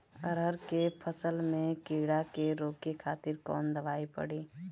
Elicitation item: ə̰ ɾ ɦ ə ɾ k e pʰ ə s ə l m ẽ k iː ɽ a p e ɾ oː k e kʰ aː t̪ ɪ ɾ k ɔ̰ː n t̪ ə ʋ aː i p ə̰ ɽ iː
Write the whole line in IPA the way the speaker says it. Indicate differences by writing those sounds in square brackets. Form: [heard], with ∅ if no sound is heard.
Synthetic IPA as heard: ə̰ ɾ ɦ ə ɾ k e pʰ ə s ə l m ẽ k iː ɽ a [k] e ɾ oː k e kʰ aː t̪ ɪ ɾ k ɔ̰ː n [d̪] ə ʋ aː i p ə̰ ɽ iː